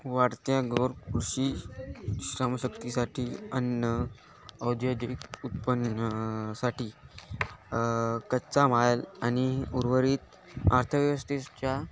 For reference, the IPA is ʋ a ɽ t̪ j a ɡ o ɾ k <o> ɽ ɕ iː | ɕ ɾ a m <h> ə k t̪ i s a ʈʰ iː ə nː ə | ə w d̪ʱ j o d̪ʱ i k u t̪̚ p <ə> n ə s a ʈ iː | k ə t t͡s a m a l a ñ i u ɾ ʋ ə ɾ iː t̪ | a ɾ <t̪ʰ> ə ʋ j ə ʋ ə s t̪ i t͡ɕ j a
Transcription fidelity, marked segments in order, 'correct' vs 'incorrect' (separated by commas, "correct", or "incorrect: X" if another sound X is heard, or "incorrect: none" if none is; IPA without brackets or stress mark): incorrect: u, incorrect: ɕ, correct, correct